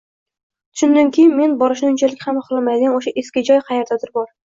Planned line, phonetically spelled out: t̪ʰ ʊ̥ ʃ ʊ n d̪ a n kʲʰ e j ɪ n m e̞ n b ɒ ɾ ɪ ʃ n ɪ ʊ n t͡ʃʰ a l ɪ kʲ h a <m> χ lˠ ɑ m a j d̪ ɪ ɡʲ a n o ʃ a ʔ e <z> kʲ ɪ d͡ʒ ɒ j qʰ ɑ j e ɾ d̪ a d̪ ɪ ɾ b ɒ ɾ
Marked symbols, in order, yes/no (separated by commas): yes, no